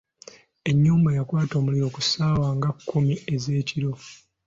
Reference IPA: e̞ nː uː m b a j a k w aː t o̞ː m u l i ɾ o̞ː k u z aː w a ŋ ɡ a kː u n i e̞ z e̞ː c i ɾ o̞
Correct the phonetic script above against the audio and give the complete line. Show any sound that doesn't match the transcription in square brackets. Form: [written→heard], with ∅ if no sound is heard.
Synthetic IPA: e̞ [nː→ɲː] uː m b a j a k w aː t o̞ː m u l i ɾ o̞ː k u [z→s] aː w a ŋ ɡ a kː u [n→m] i e̞ z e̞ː c i ɾ o̞